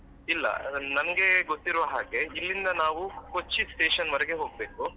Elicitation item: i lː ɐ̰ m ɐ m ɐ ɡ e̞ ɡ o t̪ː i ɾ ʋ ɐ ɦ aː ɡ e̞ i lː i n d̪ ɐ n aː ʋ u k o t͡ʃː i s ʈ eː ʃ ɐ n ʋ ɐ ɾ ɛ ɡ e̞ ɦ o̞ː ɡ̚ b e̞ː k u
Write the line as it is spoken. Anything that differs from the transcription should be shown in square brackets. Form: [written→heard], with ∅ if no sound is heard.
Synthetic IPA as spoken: i lː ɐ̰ [m→n] ɐ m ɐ ɡ e̞ ɡ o t̪ː i ɾ ʋ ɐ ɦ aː ɡ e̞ i lː i n d̪ ɐ n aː ʋ u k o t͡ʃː i s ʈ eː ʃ ɐ n ʋ ɐ ɾ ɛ ɡ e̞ ɦ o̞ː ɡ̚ b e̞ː k u